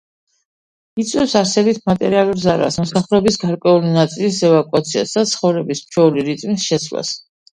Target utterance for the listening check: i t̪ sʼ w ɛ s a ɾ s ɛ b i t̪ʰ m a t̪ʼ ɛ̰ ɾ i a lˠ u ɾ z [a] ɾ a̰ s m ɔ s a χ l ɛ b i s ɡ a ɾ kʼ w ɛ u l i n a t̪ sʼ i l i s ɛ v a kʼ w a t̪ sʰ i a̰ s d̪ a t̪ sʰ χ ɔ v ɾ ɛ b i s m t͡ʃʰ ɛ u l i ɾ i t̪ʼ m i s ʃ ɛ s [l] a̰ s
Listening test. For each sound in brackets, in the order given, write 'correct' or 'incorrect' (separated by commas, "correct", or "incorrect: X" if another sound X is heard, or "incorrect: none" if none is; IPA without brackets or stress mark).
correct, correct